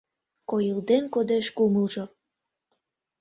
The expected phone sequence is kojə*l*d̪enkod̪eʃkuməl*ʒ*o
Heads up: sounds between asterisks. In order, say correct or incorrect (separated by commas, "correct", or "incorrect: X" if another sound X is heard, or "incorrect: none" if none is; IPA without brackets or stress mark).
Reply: correct, correct